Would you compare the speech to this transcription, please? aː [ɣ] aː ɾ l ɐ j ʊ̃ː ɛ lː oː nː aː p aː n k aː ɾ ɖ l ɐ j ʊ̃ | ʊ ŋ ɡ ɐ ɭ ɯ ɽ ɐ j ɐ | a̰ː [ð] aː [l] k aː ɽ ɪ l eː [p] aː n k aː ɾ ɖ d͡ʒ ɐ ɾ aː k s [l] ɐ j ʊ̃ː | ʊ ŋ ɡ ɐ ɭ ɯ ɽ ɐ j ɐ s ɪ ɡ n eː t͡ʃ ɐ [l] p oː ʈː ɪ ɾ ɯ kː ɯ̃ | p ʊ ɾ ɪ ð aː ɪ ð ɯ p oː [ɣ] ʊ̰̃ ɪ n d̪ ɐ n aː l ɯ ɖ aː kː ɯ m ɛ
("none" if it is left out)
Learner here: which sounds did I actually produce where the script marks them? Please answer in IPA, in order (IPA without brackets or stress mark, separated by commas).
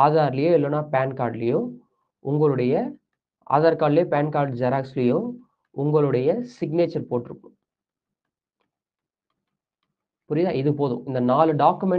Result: ð, ð, ɾ, p, l, ɾ, ð